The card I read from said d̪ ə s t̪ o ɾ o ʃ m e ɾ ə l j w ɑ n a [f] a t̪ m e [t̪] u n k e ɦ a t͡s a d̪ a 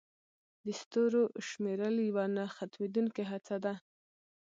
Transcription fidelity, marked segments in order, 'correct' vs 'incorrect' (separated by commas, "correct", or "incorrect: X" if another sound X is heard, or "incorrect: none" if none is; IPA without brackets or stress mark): incorrect: x, incorrect: d̪